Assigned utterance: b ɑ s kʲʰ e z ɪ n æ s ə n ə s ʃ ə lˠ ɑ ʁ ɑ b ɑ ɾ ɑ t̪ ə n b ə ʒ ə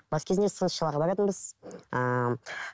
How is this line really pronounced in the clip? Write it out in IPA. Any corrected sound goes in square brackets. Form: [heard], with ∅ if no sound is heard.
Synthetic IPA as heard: b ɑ s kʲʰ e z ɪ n [e] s ə n ə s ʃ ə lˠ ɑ ʁ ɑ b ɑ ɾ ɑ t̪ ə n b ə [z] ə